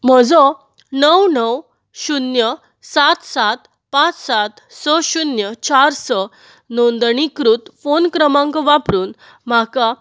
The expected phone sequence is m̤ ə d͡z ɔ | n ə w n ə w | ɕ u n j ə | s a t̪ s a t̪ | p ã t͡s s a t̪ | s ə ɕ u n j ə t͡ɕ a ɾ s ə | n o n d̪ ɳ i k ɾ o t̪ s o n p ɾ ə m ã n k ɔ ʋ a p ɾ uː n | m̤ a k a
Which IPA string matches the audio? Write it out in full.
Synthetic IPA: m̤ ə d͡z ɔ | n ə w n ə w | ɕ u n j ə | s a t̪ s a t̪ | p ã t͡s s a t̪ | s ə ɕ u n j ə t͡ɕ a ɾ s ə | n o n d̪ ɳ i k ɾ u t̪ f o n k ɾ ə m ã ŋ k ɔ ʋ a p ɾ uː n | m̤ a k a